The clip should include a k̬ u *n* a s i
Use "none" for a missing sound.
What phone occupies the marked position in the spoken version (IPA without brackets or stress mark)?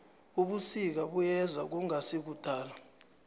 ŋ